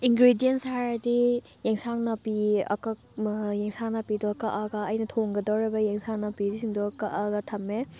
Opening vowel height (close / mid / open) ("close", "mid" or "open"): close